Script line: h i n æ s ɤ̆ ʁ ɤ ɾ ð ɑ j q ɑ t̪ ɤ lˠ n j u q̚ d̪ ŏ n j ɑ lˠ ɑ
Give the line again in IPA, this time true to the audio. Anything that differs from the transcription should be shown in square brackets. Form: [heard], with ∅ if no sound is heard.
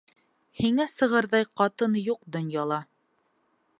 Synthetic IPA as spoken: h i [ŋ] æ s ɤ̆ ʁ ɤ ɾ ð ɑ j q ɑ t̪ ɤ [∅] n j u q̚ d̪ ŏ n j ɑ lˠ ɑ